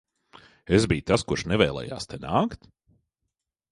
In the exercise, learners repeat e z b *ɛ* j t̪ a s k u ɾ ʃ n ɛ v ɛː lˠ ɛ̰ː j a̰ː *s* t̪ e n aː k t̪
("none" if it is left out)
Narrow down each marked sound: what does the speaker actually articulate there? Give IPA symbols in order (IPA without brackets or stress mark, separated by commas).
i, s